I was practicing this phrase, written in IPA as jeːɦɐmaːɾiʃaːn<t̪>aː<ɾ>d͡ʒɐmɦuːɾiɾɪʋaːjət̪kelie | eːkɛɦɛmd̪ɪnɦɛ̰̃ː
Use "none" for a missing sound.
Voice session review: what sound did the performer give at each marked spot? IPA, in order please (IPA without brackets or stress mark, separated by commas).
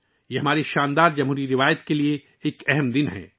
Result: d̪, ɾ